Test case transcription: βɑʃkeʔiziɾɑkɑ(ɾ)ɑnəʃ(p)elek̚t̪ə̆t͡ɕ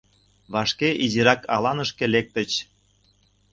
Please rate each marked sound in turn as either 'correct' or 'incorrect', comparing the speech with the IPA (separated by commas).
incorrect, incorrect